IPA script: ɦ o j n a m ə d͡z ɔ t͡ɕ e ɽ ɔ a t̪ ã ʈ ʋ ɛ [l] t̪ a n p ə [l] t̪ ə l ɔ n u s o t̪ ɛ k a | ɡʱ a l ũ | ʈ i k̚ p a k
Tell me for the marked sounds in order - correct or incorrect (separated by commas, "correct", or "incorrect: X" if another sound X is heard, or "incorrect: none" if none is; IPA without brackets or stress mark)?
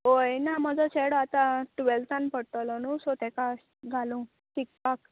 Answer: correct, incorrect: ɽ